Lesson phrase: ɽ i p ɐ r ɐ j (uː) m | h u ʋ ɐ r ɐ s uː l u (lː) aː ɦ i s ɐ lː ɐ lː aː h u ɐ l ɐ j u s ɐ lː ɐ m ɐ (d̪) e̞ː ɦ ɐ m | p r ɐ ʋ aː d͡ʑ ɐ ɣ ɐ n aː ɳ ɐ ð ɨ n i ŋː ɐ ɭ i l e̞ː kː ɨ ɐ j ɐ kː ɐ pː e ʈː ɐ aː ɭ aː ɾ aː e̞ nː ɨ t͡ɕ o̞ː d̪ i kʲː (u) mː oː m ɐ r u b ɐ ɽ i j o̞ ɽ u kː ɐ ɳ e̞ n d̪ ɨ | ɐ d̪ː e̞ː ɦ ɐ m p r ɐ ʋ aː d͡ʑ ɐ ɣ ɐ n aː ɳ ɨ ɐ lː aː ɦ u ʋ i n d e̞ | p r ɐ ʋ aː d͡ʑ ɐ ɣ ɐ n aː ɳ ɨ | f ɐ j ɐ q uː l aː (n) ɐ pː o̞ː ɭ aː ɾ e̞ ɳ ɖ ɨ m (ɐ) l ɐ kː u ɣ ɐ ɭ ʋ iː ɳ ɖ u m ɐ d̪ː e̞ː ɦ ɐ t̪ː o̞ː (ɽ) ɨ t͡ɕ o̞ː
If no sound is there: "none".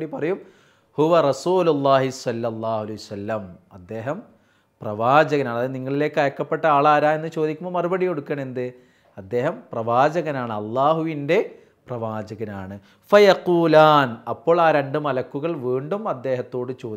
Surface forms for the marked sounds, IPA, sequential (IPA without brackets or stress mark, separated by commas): u, lː, d̪ː, u, n, ɐ, ɽ